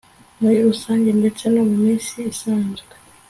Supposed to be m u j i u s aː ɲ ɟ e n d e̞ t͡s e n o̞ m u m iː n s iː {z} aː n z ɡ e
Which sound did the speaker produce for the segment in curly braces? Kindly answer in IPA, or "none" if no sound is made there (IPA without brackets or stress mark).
s